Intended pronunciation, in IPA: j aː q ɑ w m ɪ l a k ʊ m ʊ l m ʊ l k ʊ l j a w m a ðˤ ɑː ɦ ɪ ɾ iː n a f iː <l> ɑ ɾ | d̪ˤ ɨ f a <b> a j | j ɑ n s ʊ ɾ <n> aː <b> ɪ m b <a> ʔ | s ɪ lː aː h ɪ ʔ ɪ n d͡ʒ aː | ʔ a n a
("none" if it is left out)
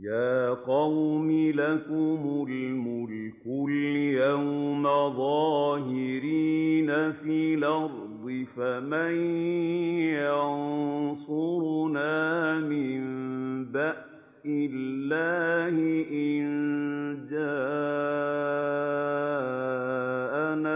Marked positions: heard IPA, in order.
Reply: l, m, n, m, a

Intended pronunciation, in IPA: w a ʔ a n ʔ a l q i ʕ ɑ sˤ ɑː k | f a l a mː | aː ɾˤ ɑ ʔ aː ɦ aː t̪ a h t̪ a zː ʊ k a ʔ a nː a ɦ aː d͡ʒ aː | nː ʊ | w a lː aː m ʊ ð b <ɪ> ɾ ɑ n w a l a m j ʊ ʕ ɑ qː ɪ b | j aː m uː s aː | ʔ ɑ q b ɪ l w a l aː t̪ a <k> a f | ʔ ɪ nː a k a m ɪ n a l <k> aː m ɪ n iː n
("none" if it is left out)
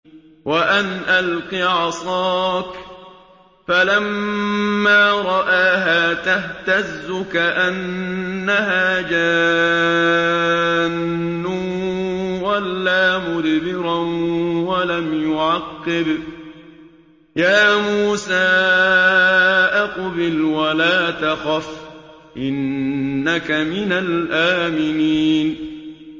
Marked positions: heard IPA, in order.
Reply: ɪ, x, ʔ

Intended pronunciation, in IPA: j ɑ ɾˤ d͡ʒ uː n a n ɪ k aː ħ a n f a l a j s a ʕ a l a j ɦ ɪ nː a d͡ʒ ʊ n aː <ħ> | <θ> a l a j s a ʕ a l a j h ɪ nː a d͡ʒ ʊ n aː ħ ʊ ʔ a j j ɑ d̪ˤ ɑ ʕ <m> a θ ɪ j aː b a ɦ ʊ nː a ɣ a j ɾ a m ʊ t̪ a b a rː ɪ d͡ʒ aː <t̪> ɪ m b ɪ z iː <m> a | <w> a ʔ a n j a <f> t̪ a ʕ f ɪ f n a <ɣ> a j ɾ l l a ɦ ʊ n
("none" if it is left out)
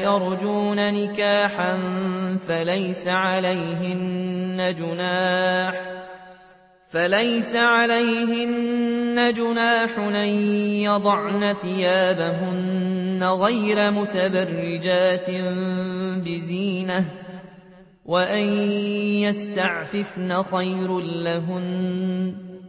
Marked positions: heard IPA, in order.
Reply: ħ, f, n, t̪, n, w, s, x

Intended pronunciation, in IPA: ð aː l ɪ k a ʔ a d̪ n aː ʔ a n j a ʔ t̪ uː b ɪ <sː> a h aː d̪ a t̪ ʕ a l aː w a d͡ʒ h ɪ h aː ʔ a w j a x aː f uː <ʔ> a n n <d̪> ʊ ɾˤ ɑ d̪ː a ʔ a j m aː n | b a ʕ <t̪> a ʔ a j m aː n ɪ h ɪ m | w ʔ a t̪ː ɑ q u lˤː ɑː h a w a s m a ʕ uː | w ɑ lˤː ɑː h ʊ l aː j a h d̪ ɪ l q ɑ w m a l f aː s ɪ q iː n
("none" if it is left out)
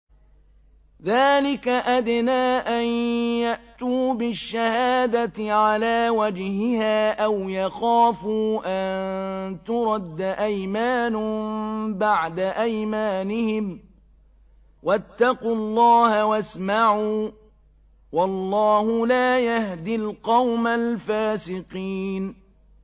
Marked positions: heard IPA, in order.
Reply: ʃː, ʔ, t̪, d̪

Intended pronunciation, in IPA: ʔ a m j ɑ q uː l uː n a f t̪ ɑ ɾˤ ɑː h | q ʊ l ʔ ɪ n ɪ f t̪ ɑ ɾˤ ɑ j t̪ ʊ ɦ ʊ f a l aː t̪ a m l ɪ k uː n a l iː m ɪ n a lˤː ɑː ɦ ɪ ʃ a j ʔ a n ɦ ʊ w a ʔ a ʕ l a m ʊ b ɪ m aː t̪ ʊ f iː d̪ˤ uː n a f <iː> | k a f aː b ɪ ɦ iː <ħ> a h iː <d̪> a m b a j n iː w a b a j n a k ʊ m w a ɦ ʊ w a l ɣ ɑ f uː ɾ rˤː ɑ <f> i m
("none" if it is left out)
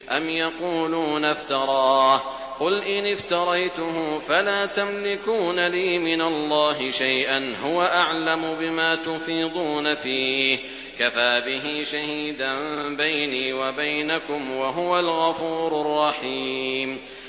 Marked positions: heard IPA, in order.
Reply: iː, ʃ, d̪, ħ

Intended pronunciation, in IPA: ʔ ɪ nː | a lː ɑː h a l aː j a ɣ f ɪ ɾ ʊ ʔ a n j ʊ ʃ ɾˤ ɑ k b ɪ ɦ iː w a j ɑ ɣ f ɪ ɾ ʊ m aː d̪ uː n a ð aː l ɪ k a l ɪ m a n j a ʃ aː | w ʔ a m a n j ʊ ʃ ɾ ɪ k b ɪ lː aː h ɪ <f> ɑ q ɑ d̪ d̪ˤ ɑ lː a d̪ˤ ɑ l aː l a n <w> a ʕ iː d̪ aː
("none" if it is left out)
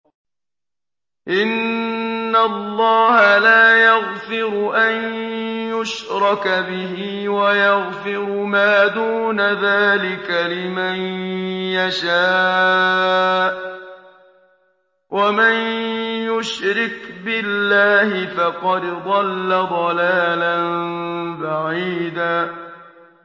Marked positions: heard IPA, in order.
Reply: f, b

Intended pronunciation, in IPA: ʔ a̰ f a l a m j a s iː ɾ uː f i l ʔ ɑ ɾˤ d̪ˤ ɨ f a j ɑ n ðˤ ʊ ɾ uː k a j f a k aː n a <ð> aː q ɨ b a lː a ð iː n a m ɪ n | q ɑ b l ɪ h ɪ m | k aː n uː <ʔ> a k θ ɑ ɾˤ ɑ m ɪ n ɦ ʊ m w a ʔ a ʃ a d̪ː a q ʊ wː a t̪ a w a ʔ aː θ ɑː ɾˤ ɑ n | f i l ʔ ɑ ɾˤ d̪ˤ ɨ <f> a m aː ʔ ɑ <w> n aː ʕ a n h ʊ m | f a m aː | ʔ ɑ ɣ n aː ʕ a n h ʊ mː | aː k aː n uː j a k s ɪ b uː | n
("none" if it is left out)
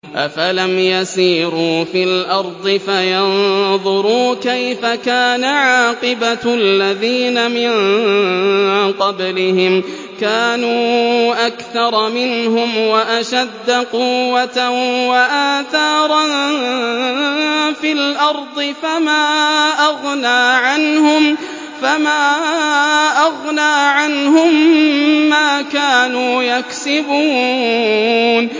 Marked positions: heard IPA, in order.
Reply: ʕ, ʔ, f, ɣ

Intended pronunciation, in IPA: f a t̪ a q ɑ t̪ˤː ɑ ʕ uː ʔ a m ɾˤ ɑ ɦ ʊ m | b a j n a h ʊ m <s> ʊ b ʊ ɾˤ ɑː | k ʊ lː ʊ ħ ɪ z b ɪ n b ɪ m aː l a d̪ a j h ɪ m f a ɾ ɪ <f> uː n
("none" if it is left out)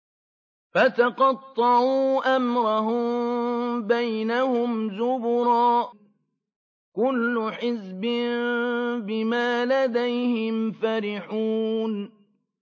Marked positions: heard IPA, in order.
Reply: z, ħ

